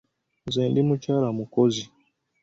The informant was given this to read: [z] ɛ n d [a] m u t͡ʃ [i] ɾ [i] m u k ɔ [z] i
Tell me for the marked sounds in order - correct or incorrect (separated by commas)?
correct, incorrect, incorrect, incorrect, correct